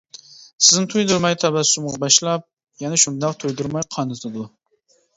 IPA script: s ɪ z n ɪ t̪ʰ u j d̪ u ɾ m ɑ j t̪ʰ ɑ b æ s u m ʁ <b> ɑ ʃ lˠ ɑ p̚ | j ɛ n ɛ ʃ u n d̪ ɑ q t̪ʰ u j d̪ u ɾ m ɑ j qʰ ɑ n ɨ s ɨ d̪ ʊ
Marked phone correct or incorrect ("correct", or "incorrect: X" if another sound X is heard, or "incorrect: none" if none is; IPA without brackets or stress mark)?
correct